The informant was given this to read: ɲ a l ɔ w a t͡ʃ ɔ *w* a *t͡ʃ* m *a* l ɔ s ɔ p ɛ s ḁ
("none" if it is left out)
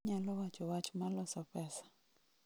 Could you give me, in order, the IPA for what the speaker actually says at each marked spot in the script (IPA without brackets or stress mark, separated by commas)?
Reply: w, t͡ʃ, a